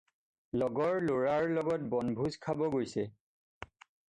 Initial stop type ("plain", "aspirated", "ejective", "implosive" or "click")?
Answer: plain